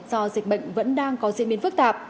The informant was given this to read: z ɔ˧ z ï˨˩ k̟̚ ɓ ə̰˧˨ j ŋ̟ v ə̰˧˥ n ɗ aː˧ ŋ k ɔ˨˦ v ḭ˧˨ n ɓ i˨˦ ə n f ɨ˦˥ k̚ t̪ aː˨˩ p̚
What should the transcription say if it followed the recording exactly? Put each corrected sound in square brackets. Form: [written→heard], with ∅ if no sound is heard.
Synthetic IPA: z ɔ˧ z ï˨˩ k̟̚ ɓ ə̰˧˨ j ŋ̟ v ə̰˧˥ n ɗ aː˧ ŋ k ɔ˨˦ [v→z] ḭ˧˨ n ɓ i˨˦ ə n f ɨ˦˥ k̚ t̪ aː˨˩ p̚

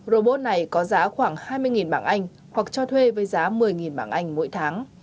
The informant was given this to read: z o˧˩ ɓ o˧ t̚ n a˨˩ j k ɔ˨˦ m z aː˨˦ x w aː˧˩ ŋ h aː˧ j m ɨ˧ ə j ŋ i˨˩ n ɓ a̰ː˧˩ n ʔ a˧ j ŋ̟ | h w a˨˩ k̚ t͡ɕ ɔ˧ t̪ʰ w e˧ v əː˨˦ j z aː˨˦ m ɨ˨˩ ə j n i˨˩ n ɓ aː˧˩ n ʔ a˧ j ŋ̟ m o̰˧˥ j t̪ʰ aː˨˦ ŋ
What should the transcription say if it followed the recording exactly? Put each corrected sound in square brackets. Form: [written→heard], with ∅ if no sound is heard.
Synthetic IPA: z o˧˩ ɓ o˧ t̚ n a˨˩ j k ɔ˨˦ [m→∅] z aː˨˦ x w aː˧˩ ŋ h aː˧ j m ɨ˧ ə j ŋ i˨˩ n ɓ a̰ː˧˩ n ʔ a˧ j ŋ̟ | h w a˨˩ k̚ t͡ɕ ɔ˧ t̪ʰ w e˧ v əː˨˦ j z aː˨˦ m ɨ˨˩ ə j [n→ŋ] i˨˩ n ɓ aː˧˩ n ʔ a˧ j ŋ̟ m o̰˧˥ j t̪ʰ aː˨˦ ŋ

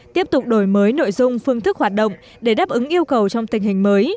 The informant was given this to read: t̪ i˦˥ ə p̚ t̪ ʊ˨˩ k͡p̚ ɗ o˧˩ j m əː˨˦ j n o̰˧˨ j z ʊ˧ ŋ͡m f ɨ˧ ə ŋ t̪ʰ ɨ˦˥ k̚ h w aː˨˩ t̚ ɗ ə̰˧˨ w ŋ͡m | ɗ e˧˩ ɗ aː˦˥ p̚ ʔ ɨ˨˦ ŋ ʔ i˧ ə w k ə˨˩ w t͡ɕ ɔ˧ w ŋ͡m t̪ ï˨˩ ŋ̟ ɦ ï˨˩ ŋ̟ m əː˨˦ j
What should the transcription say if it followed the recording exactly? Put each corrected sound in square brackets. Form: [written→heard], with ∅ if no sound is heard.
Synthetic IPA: t̪ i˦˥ ə p̚ t̪ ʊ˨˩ k͡p̚ ɗ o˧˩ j m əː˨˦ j n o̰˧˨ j z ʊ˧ ŋ͡m f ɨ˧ ə ŋ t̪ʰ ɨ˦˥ k̚ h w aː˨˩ t̚ ɗ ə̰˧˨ w ŋ͡m | ɗ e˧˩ ɗ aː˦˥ p̚ ʔ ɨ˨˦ ŋ ʔ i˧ ə w k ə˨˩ w t͡ɕ ɔ˧ w ŋ͡m t̪ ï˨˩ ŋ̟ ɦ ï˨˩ ŋ̟ m əː˨˦ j

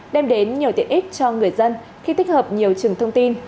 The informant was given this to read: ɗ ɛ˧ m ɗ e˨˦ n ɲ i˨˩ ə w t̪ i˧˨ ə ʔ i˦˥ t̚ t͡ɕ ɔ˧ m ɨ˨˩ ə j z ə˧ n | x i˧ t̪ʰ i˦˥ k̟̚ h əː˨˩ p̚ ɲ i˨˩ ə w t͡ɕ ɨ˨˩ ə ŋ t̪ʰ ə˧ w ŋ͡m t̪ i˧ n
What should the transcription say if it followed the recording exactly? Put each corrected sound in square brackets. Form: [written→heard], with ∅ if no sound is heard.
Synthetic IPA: ɗ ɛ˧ m ɗ e˨˦ n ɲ i˨˩ ə w t̪ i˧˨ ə ʔ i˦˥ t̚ t͡ɕ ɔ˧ [m→ŋ] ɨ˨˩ ə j z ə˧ n | x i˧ [t̪ʰ→t̪] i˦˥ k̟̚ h əː˨˩ p̚ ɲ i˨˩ ə w t͡ɕ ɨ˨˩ ə ŋ t̪ʰ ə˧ w ŋ͡m t̪ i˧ n

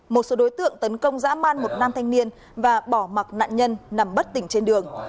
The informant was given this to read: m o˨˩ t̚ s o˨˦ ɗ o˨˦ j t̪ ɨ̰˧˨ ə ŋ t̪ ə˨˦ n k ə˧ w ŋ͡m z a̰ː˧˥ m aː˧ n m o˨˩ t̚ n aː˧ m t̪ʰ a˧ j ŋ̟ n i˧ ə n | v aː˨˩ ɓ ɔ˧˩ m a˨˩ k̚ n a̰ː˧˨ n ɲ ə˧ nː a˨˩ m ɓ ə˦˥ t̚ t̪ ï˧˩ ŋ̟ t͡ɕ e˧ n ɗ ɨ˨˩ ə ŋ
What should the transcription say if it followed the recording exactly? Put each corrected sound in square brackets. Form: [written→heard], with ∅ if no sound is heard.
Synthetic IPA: m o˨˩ t̚ s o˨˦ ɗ o˨˦ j t̪ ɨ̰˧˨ ə ŋ t̪ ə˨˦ n k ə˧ w ŋ͡m z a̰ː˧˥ m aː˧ n m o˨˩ t̚ n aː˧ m t̪ʰ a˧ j ŋ̟ n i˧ ə n | v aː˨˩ ɓ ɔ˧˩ m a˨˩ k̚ n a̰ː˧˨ n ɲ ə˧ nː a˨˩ m ɓ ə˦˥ t̚ t̪ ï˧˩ ŋ̟ t͡ɕ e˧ n ɗ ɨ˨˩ ə ŋ

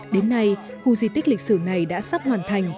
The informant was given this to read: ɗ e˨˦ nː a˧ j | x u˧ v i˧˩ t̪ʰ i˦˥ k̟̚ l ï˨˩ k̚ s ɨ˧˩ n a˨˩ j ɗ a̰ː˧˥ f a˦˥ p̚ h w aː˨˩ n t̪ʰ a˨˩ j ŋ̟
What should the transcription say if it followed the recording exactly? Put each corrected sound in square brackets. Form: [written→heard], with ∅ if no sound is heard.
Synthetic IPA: ɗ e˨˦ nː a˧ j | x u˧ [v→z] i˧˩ [t̪ʰ→t̪] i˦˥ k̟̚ l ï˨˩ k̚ s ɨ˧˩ n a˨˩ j ɗ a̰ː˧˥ [f→s] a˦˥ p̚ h w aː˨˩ n t̪ʰ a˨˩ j ŋ̟

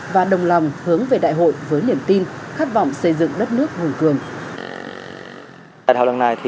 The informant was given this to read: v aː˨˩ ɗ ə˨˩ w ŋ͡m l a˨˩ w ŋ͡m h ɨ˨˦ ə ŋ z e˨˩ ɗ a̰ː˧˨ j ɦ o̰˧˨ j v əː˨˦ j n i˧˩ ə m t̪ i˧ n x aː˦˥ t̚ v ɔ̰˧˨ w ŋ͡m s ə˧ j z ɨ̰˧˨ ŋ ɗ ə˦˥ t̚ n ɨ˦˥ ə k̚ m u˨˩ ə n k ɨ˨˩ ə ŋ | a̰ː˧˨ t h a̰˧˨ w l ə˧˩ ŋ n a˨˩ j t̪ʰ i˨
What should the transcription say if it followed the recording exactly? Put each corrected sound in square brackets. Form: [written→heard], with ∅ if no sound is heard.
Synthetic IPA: v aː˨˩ ɗ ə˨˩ w ŋ͡m l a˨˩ w ŋ͡m h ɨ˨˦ ə ŋ [z→v] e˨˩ ɗ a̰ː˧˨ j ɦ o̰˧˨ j v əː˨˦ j n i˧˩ ə m t̪ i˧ n x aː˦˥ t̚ v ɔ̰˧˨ w ŋ͡m s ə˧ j z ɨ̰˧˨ ŋ ɗ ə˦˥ t̚ n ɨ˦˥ ə k̚ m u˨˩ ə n k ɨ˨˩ ə ŋ | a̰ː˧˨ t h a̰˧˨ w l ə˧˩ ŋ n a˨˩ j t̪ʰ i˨

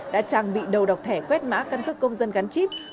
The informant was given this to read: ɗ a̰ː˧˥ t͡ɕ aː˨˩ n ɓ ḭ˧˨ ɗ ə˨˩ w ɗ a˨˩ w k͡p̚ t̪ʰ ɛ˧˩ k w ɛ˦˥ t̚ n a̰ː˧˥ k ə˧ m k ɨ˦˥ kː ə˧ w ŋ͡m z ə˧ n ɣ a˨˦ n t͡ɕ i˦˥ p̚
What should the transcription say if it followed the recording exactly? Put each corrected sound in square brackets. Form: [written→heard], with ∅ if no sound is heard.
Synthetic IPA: ɗ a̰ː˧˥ t͡ɕ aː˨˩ [n→ŋ] ɓ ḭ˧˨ ɗ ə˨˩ w ɗ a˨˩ w k͡p̚ t̪ʰ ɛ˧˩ k w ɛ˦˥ t̚ [n→m] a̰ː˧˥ k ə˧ [m→n] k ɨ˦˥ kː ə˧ w ŋ͡m z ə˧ n ɣ a˨˦ n t͡ɕ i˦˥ p̚

